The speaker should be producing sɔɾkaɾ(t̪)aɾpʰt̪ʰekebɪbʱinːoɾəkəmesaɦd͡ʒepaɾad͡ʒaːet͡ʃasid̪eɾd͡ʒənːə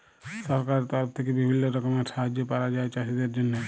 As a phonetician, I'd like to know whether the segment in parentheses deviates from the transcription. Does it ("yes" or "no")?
no